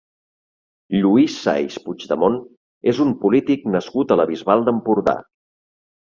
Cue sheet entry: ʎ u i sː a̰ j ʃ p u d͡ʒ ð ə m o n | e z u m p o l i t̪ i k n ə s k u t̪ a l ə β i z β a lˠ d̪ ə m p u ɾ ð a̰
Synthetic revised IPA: ʎ u i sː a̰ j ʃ p u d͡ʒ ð ə m o n | e z u m p u l i t̪ i k n ə s k u t̪ ə l ə β i z β a lˠ d̪ ə m p u ɾ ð a̰